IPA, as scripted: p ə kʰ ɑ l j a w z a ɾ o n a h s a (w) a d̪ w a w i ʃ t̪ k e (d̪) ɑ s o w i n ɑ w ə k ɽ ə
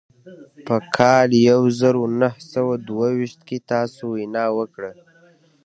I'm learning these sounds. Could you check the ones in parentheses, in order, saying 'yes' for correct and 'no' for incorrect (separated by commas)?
yes, no